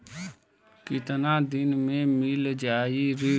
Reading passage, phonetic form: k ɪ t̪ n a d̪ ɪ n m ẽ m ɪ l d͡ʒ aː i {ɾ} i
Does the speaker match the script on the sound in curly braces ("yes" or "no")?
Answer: yes